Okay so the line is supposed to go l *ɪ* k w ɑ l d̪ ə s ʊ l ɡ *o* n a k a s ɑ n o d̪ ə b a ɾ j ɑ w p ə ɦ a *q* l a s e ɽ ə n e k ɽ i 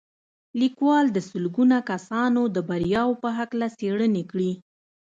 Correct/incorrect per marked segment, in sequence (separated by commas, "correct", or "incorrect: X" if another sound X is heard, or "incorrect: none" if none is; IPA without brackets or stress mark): incorrect: i, incorrect: u, incorrect: k